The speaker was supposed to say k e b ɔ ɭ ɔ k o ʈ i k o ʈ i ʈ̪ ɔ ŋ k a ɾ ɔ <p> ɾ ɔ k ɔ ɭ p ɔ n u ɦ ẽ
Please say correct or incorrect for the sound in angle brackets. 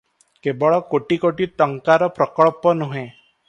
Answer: correct